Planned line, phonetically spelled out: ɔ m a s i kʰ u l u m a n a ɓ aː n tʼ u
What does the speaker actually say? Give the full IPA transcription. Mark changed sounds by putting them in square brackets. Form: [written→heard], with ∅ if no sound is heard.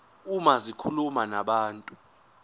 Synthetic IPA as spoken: [ɔ→u] m a [s→z] i kʰ u l u m a n a ɓ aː n tʼ u